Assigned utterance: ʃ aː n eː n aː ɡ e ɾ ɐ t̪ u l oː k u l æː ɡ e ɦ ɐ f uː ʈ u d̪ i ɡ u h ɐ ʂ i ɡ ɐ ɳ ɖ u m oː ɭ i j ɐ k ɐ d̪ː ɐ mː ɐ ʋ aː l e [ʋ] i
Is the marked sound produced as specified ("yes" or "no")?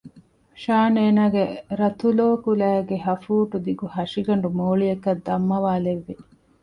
no